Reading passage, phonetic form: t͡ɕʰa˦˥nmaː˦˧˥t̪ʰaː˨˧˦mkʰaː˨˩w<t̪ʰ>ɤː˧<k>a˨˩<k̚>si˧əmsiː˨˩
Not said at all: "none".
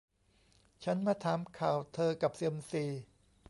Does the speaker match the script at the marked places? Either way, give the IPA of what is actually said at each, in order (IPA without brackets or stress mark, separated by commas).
t̪ʰ, k, p̚